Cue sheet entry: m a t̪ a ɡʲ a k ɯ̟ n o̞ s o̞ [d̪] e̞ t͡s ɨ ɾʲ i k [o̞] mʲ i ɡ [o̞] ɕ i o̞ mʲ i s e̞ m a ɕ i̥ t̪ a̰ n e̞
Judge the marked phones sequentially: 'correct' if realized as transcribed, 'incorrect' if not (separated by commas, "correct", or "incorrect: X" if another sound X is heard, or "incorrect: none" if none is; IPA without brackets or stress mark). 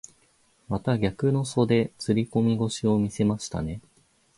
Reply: correct, correct, correct